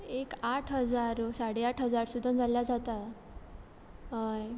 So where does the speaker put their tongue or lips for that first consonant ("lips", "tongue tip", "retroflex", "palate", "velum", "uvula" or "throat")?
velum